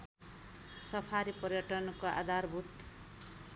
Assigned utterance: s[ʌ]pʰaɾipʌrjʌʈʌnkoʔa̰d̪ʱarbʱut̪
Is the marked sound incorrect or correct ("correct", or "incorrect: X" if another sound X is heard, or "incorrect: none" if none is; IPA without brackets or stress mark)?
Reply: correct